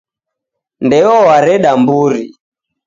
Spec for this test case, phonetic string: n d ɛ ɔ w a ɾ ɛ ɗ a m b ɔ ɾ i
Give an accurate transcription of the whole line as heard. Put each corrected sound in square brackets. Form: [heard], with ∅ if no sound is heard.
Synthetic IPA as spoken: n d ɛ ɔ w a ɾ ɛ ɗ a m b [u] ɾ i